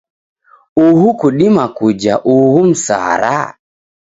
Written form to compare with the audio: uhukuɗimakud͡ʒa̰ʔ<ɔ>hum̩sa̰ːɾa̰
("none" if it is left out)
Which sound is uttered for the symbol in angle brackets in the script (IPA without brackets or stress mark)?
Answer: u